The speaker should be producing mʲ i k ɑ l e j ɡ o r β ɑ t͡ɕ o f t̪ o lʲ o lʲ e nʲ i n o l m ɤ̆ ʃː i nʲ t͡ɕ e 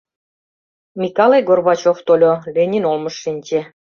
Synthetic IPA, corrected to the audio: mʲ i k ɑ l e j ɡ o r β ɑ t͡ɕ o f t̪ o lʲ o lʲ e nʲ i n o l m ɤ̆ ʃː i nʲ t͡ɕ e